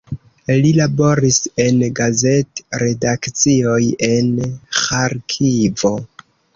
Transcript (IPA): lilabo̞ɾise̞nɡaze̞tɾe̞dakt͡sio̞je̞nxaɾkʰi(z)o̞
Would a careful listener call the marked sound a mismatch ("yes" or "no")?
yes